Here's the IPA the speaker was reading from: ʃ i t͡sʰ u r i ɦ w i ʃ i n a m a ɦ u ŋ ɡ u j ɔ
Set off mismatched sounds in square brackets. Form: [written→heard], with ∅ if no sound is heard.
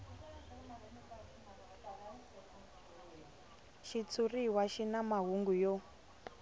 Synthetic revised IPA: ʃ i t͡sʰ u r i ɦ w [i→a] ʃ i n a m a ɦ u ŋ ɡ u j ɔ